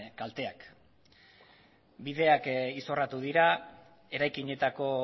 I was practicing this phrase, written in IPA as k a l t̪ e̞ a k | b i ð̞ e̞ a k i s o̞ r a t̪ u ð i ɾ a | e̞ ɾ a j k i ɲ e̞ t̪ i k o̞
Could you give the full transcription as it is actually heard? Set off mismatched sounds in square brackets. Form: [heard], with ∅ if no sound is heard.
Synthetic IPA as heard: k a l t̪ e̞ a k | b i ð̞ e̞ a k i s o̞ r a t̪ u ð i ɾ a | e̞ ɾ a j k i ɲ e̞ t̪ [a] k o̞